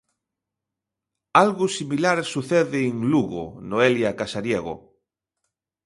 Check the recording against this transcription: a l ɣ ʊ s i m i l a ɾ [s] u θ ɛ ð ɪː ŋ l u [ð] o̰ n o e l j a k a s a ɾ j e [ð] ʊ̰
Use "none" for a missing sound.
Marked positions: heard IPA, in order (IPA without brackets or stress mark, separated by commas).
s, ɣ, ɣ